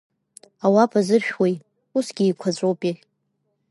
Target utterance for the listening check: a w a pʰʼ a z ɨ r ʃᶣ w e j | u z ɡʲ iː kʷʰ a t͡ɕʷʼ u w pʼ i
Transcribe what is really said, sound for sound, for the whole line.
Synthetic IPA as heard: a w a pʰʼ a z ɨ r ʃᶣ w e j | u s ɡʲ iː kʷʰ a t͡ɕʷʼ o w pʼ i